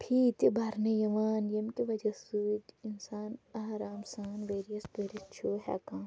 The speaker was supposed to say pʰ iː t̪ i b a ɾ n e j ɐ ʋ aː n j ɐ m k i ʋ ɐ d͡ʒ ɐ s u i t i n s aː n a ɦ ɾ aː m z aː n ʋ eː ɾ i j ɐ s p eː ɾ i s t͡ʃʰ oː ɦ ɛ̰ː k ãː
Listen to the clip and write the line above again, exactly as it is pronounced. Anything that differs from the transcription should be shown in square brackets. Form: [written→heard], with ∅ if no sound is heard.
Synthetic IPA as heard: pʰ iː t̪ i b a ɾ n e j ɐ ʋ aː n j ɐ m k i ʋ ɐ d͡ʒ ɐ s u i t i n s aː n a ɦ ɾ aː m [z→s] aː n ʋ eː ɾ i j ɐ s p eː ɾ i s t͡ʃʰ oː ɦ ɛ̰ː k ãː